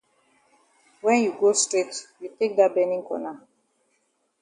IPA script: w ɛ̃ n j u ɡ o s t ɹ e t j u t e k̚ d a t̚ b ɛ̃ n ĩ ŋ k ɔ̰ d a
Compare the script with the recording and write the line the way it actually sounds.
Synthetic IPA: w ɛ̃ n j u ɡ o s t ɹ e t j u t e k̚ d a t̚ b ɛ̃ n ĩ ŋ k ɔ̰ n a